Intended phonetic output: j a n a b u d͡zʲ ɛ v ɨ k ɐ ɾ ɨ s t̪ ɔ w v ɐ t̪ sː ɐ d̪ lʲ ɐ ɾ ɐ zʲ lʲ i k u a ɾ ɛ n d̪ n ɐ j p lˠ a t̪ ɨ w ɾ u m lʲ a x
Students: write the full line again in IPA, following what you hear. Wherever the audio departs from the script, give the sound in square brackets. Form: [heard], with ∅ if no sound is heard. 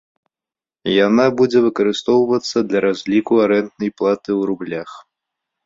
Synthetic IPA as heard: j a n a b u d͡zʲ ɛ v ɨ k ɐ ɾ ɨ s t̪ ɔ w v ɐ t̪ sː ɐ d̪ lʲ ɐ ɾ [a] zʲ lʲ i k u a ɾ ɛ n [t̪] n ɐ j p lˠ a t̪ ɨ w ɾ u [b] lʲ a x